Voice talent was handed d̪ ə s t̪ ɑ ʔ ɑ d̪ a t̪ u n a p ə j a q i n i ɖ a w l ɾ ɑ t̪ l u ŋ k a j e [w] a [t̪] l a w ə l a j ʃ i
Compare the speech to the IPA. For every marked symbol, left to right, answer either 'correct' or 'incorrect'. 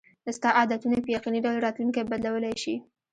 incorrect: b, incorrect: d̪

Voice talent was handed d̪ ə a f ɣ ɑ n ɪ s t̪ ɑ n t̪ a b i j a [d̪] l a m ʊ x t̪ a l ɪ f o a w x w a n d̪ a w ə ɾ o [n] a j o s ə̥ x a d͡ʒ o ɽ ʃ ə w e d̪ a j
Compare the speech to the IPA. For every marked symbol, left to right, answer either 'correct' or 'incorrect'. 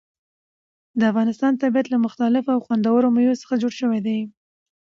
incorrect: t̪, incorrect: m

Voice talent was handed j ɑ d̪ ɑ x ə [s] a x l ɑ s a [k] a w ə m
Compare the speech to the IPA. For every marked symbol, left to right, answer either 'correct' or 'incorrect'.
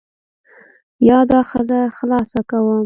incorrect: z, correct

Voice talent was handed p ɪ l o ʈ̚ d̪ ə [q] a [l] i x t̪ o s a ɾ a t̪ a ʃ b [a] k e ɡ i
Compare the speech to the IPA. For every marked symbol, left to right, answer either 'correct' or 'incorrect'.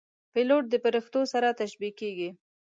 incorrect: p, incorrect: ɾ, incorrect: i

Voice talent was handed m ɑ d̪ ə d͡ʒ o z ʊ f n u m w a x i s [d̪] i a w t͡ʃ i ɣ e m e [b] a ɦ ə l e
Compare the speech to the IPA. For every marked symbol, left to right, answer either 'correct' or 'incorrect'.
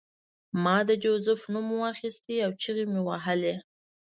incorrect: t̪, incorrect: w

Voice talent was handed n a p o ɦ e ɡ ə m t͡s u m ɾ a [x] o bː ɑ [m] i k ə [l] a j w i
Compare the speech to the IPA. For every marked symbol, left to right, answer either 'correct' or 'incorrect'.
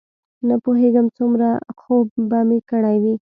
correct, correct, incorrect: ɽ

